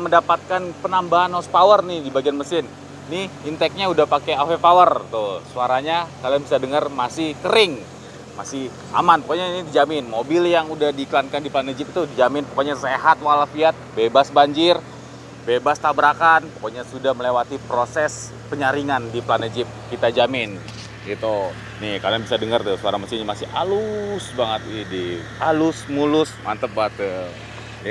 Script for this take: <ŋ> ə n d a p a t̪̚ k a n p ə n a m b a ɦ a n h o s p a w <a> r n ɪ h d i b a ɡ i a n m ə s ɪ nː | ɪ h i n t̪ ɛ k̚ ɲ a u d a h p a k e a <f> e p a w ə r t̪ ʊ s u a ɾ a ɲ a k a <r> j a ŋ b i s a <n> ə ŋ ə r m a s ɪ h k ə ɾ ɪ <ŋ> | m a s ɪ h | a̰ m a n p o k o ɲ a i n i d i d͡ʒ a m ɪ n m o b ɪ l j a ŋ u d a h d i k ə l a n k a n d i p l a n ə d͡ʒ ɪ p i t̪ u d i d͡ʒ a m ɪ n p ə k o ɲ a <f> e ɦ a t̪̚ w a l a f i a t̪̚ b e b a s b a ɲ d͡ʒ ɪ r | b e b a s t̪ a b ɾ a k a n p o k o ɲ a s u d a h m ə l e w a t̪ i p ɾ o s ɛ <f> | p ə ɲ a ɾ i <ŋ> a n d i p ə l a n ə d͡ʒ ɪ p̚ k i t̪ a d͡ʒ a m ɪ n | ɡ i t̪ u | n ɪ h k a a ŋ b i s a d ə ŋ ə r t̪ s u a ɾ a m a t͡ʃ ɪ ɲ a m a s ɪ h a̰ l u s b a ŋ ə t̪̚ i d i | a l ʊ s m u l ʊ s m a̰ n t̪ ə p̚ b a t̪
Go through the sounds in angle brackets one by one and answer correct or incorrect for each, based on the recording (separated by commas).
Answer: incorrect, incorrect, correct, incorrect, incorrect, correct, incorrect, incorrect, correct